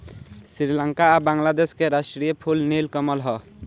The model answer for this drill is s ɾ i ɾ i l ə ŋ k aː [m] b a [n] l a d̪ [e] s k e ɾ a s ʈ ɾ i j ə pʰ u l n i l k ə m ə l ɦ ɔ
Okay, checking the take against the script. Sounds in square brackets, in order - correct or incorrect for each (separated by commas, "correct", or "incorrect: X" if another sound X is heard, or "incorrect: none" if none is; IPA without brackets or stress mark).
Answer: incorrect: none, incorrect: ŋ, correct